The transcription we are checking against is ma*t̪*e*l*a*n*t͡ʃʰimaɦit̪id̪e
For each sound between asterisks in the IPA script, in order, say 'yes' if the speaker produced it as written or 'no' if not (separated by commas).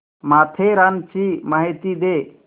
no, no, yes